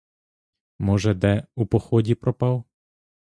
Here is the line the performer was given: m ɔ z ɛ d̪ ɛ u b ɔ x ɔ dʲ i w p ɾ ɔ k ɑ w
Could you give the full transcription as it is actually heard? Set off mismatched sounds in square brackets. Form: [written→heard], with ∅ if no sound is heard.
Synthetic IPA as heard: m ɔ [z→ʒ] ɛ d̪ ɛ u [b→p] ɔ x ɔ dʲ i [w→∅] p ɾ ɔ [k→p] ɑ w